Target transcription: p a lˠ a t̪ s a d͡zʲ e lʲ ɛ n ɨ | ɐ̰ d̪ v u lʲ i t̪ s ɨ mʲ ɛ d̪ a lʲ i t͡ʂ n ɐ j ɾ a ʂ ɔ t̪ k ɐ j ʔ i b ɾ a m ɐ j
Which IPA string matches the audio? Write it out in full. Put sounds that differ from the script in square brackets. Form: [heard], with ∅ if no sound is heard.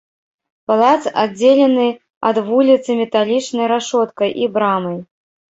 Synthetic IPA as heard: p a lˠ a t̪ s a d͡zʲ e lʲ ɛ n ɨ | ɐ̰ d̪ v u lʲ i t̪ s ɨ mʲ ɛ [t̪] a lʲ i t͡ʂ n ɐ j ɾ a ʂ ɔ t̪ k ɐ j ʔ i b ɾ a m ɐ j